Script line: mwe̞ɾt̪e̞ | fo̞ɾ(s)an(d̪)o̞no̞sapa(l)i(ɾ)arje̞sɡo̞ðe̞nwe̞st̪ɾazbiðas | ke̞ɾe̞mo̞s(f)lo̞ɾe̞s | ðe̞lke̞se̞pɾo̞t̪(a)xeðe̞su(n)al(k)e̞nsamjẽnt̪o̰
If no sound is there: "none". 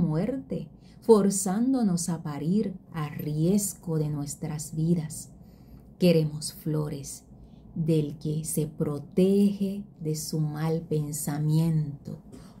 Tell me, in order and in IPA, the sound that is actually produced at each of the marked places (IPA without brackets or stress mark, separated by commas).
s, d̪, ɾ, ɾ, f, e, m, p